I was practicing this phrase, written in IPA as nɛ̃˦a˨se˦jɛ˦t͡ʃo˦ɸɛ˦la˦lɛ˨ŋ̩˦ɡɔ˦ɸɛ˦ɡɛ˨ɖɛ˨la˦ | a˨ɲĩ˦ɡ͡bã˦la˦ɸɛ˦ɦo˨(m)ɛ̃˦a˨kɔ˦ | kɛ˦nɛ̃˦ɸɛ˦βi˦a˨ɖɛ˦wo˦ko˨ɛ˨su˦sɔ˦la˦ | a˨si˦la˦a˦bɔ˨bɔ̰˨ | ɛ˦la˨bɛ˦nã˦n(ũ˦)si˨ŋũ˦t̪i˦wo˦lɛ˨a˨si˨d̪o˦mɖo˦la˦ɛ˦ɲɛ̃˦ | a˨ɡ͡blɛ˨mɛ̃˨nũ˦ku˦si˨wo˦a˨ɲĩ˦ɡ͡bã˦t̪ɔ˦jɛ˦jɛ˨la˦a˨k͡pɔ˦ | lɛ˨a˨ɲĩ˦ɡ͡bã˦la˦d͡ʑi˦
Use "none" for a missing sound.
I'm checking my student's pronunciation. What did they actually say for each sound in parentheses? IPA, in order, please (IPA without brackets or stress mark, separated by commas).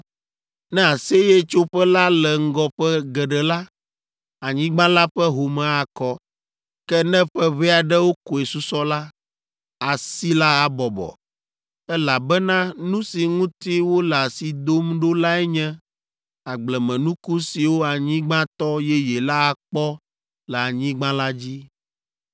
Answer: m, ũ˦